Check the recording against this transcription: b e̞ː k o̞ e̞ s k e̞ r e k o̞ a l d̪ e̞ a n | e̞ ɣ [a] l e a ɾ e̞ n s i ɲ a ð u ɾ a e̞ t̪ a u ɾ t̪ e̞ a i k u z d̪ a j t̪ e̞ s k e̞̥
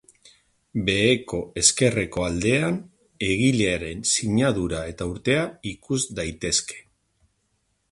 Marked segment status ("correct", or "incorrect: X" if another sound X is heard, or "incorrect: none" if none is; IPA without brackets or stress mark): incorrect: i